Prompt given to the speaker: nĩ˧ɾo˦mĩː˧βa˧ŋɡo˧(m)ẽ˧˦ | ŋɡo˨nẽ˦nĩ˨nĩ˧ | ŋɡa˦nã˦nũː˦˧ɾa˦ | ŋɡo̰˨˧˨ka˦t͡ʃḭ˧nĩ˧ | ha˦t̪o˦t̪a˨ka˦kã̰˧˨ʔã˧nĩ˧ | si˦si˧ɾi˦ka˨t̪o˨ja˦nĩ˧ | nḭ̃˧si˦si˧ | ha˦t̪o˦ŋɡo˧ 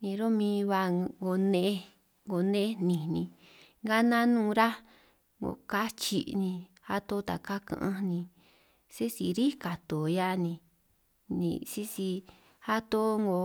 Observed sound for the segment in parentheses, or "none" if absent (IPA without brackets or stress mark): n